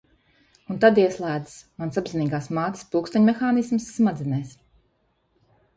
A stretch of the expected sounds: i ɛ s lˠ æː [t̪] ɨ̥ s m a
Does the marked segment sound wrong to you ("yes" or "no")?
yes